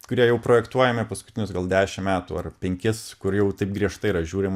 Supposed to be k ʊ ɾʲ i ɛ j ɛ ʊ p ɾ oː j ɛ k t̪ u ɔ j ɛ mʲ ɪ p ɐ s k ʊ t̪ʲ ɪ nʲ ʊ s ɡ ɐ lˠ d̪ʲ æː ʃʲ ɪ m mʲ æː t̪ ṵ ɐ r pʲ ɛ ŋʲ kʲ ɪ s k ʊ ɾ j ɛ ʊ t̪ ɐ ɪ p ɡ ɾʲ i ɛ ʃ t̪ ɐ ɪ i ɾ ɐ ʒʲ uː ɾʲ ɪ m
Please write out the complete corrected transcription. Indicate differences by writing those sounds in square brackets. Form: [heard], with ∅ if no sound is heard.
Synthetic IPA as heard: k ʊ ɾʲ i ɛ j ɛ ʊ p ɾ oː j ɛ k t̪ u ɔ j ɛ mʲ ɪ p ɐ s k ʊ t̪ʲ ɪ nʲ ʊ s ɡ ɐ lˠ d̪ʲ æː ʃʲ ɪ m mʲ æː t̪ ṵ ɐ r pʲ ɛ ŋʲ kʲ ɪ s k ʊ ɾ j ɛ ʊ t̪ ɐ ɪ p ɡ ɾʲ i ɛ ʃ t̪ ɐ ɪ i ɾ ɐ ʒʲ uː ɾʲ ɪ m